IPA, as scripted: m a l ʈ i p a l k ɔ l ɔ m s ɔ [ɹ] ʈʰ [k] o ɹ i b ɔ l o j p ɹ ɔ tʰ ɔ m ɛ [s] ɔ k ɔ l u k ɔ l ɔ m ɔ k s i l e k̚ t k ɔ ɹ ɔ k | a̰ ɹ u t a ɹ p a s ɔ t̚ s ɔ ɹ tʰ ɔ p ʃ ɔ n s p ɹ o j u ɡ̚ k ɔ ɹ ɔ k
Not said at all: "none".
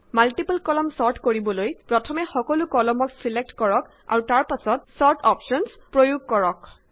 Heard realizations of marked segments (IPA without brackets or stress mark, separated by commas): ɹ, k, x